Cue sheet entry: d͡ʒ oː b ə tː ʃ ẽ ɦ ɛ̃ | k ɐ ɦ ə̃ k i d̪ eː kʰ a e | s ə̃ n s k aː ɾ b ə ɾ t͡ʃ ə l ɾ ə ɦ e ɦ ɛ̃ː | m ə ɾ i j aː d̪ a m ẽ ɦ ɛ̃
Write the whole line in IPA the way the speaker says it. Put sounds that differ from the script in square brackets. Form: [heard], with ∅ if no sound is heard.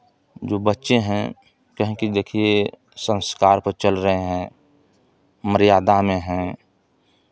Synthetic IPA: d͡ʒ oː b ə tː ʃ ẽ ɦ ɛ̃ | k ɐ ɦ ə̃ k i d̪ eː kʰ [i] e | s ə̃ n s k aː ɾ [p] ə ɾ t͡ʃ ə l ɾ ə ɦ e ɦ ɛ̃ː | m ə ɾ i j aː d̪ a m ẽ ɦ ɛ̃